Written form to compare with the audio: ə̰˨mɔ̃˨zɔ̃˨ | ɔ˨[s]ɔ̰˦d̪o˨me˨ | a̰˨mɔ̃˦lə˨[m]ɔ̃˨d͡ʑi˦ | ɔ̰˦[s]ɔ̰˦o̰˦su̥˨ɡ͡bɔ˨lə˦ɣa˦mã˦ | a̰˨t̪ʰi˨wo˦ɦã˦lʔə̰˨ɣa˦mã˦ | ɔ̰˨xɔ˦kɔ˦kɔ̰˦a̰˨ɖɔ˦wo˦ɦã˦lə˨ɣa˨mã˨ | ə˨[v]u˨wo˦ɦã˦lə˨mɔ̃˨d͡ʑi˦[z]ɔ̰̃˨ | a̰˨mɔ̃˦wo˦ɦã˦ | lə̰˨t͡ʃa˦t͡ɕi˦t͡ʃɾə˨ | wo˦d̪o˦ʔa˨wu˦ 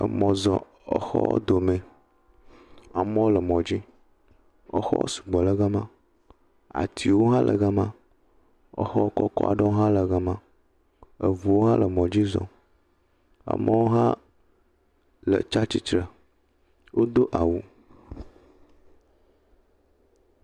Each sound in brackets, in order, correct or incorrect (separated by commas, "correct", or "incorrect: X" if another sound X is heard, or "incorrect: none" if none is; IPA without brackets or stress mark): incorrect: x, correct, incorrect: x, correct, correct